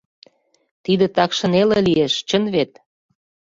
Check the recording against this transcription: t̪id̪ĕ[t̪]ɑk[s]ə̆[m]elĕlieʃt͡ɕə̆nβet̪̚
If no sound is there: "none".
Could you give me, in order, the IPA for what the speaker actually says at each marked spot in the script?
t̪, ʃ, n

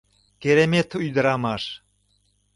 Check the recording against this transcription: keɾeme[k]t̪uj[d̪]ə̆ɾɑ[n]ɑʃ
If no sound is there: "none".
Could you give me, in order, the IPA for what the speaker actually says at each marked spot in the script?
none, d̪, m

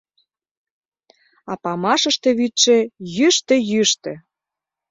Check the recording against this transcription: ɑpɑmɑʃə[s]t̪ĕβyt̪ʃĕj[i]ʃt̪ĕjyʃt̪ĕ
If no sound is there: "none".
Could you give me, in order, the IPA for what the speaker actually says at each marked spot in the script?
ʃ, y

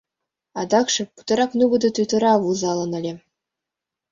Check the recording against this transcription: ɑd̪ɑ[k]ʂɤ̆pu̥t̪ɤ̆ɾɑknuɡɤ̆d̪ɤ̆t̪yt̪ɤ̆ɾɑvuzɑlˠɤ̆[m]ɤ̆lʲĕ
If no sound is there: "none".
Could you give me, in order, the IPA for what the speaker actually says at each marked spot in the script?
k, n

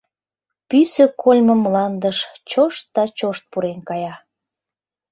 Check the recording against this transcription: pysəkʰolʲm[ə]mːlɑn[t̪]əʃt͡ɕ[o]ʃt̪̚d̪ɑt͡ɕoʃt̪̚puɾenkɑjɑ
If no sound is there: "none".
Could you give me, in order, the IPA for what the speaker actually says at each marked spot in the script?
ə, d̪, o

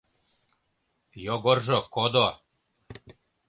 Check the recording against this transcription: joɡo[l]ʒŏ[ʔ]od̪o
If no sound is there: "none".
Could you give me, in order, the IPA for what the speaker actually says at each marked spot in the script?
r, k

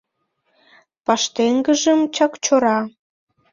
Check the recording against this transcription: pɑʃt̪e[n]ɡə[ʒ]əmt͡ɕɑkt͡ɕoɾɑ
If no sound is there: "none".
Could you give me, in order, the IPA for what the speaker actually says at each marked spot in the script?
ŋ, ʒ

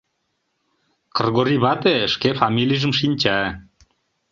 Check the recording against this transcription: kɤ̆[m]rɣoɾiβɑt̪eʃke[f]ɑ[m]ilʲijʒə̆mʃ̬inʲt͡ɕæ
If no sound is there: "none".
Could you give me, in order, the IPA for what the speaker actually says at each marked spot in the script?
none, f, m

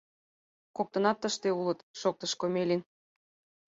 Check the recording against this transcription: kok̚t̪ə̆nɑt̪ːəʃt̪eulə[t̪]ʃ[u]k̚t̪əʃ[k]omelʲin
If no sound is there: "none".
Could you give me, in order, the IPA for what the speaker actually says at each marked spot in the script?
t̪, o, k

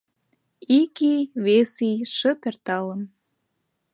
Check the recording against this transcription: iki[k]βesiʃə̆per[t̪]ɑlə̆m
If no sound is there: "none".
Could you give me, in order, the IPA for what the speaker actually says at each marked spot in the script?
none, t̪

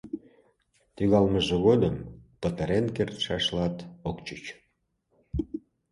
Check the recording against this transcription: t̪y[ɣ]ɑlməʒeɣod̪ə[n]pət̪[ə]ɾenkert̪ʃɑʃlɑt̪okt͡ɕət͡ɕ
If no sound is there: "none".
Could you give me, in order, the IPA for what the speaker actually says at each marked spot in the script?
ɣ, m, ə

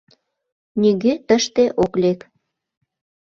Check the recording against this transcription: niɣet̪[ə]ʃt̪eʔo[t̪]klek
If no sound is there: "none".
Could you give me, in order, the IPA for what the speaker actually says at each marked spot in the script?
ə, none

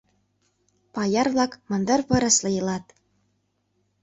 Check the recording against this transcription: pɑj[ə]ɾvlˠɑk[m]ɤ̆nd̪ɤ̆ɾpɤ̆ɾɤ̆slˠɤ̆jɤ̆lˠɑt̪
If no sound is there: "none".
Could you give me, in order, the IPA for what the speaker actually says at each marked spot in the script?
ɑ, m

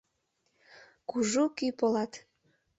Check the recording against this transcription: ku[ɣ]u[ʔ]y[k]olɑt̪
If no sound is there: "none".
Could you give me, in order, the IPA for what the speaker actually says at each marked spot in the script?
ʒ, k, p

